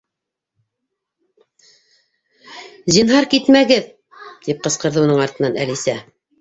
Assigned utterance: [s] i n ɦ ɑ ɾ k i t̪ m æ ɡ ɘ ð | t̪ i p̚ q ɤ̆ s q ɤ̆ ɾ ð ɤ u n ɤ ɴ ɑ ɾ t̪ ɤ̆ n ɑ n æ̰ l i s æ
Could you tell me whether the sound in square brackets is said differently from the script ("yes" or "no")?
yes